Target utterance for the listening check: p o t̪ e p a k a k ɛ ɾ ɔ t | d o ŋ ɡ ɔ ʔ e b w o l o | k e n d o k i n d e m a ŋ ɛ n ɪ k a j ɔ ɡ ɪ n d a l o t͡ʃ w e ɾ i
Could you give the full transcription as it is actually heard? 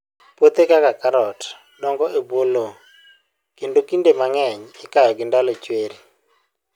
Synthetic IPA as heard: p o t̪ e k a k a k a ɾ ɔ t | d ɔ ŋ ɡ ɔ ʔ e b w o l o | k e n d o k i n d e m a ŋ ɛ ɲ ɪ k a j ɔ ɡ ɪ n d a l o t͡ʃ w e ɾ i